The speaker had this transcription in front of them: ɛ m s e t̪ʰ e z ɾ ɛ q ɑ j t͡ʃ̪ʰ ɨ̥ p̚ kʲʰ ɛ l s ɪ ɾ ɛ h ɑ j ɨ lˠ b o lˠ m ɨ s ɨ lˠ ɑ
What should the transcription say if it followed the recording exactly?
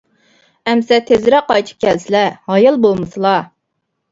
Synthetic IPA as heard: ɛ m s ɛ t̪ʰ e z ɾ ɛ q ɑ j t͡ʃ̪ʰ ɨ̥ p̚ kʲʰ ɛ l s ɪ l ɛ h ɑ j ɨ lˠ b o lˠ m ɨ s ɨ lˠ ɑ